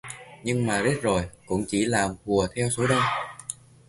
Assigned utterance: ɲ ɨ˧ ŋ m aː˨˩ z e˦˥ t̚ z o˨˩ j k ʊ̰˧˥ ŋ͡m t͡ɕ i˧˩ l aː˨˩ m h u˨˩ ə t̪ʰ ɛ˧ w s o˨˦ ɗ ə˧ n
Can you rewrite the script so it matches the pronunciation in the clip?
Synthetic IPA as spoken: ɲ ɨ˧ ŋ m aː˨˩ z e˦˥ t̚ z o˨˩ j k ʊ̰˧˥ ŋ͡m t͡ɕ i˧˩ l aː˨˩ m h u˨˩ ə t̪ʰ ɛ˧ w s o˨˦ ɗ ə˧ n